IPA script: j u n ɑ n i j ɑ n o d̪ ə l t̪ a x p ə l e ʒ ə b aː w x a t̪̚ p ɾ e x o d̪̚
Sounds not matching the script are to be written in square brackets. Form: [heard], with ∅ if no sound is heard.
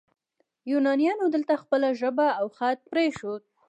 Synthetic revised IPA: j u n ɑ n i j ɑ n o d̪ ə l t̪ a x p ə l [a] ʒ ə b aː w x a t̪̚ p ɾ e [ʃ] o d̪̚

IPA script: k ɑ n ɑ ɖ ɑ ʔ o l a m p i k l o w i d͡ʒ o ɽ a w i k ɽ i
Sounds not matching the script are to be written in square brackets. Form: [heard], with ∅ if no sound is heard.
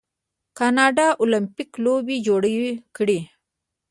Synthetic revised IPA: k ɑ n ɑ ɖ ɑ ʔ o l a m p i k l o [b] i d͡ʒ o ɽ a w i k ɽ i

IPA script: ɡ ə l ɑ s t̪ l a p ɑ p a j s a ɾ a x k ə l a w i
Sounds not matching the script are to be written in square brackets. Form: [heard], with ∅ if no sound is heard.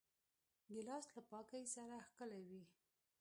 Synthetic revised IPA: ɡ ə l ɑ s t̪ l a p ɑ [k] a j s a ɾ a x k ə l a w i

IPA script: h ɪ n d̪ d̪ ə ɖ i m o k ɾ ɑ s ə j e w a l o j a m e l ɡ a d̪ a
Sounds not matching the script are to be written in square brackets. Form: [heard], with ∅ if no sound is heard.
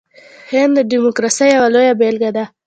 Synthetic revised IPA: h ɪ n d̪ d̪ ə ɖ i m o k ɾ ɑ s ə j [a] w a l o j a [b] e l ɡ a d̪ a

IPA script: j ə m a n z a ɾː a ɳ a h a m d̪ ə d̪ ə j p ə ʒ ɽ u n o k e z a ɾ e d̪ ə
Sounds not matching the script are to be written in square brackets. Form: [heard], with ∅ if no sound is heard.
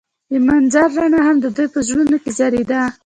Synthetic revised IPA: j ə m a n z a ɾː a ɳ a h a m d̪ ə d̪ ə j p ə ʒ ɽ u n o k e z a ɾ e d̪ [a]

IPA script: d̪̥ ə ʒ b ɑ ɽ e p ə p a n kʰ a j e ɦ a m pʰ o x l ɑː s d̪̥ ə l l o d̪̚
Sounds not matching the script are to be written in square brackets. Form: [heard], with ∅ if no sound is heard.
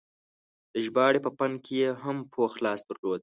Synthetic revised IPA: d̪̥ ə ʒ b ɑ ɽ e p ə p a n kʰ [e] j e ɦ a m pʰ o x l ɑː s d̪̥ ə [ɾ] l o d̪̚

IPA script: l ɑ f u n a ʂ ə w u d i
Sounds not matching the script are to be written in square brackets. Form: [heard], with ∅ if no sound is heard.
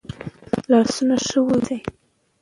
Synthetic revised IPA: l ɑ [s] u n a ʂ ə w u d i

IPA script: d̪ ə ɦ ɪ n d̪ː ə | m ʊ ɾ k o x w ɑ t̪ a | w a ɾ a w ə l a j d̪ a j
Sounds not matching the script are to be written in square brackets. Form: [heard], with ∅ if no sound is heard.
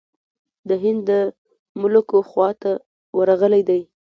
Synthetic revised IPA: d̪ ə ɦ ɪ n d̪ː ə | m ʊ [l] k o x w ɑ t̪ a | w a ɾ a [ɣ] ə l a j d̪ a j

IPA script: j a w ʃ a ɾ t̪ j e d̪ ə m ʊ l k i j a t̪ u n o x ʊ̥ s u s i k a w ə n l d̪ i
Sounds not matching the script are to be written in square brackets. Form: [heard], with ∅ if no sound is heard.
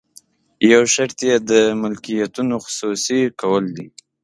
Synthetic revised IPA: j a w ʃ a ɾ t̪ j e d̪ ə m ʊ l k i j a t̪ u n o x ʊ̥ s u s i k a w ə [∅] l d̪ i

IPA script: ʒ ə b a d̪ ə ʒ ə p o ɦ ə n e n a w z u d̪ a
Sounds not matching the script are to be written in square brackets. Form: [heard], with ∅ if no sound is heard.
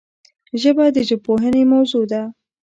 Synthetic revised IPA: ʒ ə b a d̪ ə ʒ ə p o ɦ ə n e [m] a w z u d̪ a

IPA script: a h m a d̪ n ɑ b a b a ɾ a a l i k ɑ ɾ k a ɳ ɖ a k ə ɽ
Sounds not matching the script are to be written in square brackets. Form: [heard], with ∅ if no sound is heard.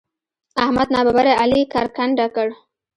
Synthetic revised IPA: a h m a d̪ n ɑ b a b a ɾ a a l i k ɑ ɾ k a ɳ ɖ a k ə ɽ

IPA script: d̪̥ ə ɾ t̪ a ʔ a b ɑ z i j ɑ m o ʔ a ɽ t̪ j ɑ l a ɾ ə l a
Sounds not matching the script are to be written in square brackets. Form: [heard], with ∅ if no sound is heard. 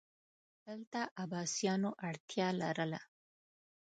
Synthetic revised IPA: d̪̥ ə [l] t̪ a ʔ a b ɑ [s] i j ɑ [n] o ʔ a ɽ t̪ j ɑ l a ɾ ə l a

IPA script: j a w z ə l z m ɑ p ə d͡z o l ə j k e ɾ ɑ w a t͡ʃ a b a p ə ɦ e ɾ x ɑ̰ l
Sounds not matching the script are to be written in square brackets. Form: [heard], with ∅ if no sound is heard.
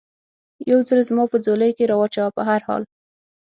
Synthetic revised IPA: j a w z ə l z m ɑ p ə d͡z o l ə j k e ɾ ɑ w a t͡ʃ a [w] a p ə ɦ [a] ɾ [h] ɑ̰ l

